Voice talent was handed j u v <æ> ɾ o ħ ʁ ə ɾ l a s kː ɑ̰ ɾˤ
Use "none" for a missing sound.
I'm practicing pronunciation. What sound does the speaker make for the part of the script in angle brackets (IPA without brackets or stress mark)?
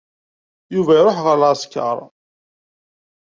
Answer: æ